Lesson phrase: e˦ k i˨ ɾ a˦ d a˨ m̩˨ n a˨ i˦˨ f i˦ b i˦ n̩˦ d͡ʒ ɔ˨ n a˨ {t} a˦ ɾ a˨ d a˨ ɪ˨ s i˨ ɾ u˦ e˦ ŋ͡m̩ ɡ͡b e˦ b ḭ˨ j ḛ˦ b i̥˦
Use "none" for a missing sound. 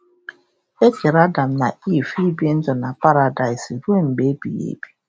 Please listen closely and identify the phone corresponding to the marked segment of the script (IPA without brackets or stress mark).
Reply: p